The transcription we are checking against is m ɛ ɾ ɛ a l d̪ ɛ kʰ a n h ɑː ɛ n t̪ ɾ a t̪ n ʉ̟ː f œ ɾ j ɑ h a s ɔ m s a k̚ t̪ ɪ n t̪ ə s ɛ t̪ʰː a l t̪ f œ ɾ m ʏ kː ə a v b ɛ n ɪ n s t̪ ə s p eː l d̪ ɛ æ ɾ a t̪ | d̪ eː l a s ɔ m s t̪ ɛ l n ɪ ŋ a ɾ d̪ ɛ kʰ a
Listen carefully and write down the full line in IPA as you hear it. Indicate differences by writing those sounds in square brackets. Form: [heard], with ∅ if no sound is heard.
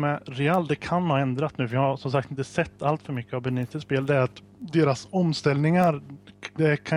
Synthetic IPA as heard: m ɛ ɾ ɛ a l d̪ ɛ kʰ a n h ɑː ɛ n [d̪] ɾ a t̪ n ʉ̟ː f œ ɾ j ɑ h a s ɔ m s a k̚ t̪ ɪ n t̪ ə s ɛ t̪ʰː a l t̪ f œ ɾ m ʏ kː ə a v b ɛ n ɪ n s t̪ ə s p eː l d̪ ɛ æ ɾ a t̪ | d̪ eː [ɾ] a s ɔ m s t̪ ɛ l n ɪ ŋ a ɾ d̪ ɛ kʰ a